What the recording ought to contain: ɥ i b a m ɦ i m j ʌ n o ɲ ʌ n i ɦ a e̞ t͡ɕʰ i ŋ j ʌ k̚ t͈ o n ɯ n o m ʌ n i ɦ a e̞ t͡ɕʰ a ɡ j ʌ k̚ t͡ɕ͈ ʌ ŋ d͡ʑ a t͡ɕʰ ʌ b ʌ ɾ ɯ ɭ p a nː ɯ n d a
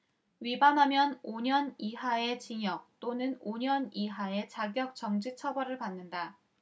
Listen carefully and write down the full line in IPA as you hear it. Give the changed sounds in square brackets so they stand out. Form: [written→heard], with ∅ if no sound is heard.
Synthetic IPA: ɥ i b a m ɦ [i→a] m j ʌ n o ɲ ʌ n i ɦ a e̞ [t͡ɕʰ→t͡ɕ] i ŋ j ʌ k̚ t͈ o n ɯ n o [m→ɲ] ʌ n i ɦ a e̞ [t͡ɕʰ→t͡ɕ] a ɡ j ʌ k̚ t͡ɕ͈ ʌ ŋ d͡ʑ [a→i] t͡ɕʰ ʌ b ʌ ɾ ɯ ɭ p a nː ɯ n d a